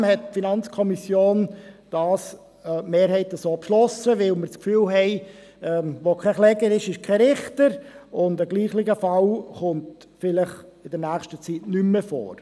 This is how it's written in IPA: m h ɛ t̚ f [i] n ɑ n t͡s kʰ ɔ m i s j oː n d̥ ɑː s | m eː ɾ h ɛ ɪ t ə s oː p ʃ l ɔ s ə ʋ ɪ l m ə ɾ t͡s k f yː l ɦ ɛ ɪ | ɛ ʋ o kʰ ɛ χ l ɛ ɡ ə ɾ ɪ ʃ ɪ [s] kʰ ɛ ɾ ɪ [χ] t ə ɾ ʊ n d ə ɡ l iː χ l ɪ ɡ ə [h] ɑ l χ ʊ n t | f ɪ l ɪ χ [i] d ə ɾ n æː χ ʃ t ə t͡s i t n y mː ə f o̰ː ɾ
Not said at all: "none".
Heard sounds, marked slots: i, ʃ, χ, f, ɪ

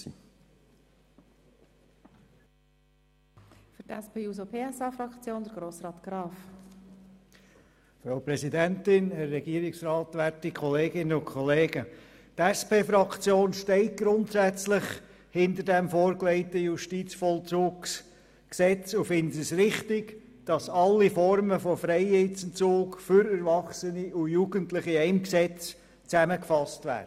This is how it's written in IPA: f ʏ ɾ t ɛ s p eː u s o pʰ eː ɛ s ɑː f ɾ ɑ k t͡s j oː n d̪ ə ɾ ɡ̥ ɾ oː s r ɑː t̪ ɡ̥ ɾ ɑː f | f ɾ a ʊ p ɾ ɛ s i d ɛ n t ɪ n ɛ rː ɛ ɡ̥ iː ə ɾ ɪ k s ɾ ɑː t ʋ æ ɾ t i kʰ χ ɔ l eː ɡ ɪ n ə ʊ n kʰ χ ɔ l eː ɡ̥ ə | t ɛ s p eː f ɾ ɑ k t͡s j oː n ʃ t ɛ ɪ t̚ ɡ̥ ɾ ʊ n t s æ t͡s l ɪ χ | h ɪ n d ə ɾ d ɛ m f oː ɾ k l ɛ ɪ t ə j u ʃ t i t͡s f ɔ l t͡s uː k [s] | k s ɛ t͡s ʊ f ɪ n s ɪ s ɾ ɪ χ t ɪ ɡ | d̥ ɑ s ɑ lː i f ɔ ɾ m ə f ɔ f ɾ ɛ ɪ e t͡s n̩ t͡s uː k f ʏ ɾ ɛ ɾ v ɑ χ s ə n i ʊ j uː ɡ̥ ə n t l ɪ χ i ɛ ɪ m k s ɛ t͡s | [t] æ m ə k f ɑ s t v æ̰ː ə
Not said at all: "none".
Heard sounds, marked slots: s, t͡s

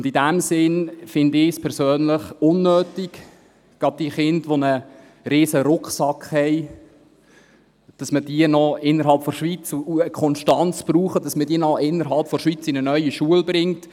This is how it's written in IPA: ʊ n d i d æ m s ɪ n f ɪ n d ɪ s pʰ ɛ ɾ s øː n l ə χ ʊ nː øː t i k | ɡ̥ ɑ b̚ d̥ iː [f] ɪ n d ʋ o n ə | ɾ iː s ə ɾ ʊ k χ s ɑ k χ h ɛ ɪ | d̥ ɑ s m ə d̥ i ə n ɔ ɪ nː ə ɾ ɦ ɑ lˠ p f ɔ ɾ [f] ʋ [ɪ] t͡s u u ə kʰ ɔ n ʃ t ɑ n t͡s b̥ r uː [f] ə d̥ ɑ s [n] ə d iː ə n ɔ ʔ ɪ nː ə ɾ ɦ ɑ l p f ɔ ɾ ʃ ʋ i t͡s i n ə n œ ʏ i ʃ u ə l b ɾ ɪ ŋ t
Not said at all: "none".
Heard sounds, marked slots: χ, ʃ, i, χ, m

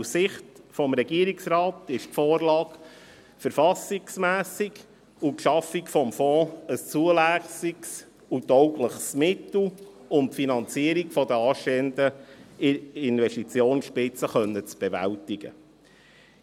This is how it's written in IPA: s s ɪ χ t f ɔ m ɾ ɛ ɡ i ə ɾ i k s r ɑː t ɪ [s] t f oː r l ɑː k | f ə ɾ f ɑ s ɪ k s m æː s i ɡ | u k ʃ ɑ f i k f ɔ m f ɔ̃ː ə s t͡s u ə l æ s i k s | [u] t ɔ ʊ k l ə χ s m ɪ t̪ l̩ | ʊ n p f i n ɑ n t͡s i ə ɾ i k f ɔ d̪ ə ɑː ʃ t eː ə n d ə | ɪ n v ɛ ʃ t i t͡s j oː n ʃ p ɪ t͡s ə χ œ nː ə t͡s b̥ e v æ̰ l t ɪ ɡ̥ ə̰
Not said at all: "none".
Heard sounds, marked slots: ʃ, u

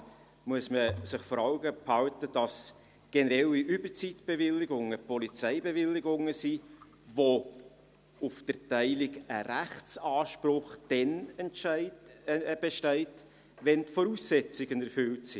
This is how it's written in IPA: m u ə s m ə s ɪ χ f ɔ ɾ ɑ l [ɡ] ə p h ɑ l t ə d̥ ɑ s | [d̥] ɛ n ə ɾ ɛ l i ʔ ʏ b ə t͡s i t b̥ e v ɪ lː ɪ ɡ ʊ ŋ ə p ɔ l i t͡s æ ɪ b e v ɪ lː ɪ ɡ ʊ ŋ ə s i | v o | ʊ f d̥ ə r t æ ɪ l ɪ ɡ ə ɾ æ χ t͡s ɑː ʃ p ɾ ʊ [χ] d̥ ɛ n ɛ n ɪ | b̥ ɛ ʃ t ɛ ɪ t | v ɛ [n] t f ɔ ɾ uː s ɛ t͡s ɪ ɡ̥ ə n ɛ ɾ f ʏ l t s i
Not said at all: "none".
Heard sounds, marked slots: ɡ, ɡ̥, χ, n

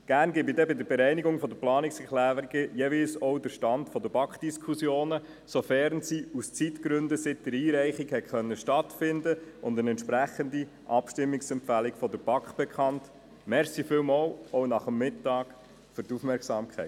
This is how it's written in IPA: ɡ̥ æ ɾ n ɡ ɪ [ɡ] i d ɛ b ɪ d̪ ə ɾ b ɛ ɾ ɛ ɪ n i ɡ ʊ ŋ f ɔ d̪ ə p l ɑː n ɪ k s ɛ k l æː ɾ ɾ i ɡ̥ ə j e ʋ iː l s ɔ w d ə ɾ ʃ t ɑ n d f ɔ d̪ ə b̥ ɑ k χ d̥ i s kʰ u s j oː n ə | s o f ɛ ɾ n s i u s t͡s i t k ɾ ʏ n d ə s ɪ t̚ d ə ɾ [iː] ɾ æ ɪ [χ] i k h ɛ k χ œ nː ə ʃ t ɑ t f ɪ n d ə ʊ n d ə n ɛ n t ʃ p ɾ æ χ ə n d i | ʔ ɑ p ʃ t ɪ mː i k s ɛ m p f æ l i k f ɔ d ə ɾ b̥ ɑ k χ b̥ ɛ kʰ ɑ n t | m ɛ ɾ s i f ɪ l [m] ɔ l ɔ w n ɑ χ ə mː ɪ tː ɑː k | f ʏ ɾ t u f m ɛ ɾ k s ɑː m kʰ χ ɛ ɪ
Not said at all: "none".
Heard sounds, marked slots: b, iː, χ, m

